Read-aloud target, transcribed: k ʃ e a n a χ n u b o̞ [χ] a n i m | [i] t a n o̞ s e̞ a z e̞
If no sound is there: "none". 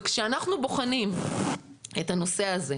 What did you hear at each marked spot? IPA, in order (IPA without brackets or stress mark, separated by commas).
χ, e